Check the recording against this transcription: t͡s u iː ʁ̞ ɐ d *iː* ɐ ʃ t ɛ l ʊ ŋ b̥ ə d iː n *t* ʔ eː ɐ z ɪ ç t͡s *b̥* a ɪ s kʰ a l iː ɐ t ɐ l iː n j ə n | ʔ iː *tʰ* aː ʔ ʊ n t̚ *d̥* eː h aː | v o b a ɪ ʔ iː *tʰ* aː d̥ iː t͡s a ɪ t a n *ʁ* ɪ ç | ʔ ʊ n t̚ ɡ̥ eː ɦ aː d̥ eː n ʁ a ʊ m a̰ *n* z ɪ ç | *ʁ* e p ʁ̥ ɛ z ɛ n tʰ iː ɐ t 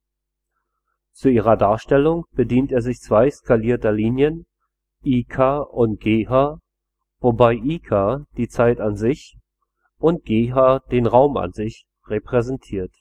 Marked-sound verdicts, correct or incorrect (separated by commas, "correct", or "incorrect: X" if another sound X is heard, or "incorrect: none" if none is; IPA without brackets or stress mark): incorrect: aː, correct, incorrect: v̥, incorrect: kʰ, incorrect: ɡ̥, incorrect: kʰ, incorrect: z, correct, correct